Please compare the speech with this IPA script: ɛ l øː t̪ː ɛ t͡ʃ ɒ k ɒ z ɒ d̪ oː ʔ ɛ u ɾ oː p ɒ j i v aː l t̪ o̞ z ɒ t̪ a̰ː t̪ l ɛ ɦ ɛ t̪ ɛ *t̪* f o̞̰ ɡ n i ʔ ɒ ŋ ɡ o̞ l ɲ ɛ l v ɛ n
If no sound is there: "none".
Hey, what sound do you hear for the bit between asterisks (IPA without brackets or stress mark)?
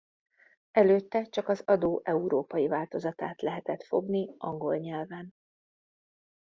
t̪